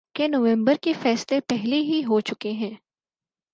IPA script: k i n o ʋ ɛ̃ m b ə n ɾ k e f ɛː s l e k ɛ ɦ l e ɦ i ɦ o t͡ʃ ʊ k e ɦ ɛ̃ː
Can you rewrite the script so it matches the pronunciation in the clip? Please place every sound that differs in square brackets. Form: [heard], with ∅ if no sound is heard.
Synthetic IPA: k [e] n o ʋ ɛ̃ m b ə [∅] ɾ k e f ɛː s l e [p] ɛ ɦ l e ɦ i ɦ o t͡ʃ ʊ k e ɦ ɛ̃ː